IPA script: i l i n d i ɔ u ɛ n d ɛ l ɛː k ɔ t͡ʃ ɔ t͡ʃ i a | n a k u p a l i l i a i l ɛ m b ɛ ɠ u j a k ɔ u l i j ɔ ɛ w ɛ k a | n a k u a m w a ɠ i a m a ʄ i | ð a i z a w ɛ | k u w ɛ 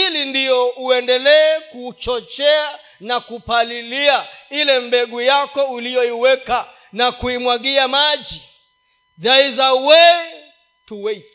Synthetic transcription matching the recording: i l i n d i ɔ u ɛ n d ɛ l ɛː k u t͡ʃ ɔ t͡ʃ ɛ a | n a k u p a l i l i a i l ɛ m b ɛ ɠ u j a k ɔ u l i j ɔ i w ɛ k a | n a k u i m w a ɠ i a m a ʄ i | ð a i z a w ɛ | t u w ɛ